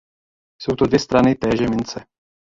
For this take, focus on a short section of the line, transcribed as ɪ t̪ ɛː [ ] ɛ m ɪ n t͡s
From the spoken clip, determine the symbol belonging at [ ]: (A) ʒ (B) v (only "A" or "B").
A